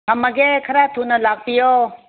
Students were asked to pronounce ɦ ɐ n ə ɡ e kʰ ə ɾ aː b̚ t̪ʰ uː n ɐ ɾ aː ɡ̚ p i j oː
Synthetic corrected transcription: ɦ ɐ m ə ɡ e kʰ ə ɾ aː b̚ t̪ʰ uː n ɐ l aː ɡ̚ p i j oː